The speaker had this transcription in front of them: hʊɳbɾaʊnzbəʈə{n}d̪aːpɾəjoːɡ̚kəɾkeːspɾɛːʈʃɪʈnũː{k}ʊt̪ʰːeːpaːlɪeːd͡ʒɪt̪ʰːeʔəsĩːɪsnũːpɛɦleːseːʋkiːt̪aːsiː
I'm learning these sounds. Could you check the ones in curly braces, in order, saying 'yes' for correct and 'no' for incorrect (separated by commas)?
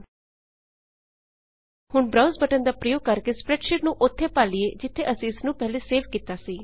yes, no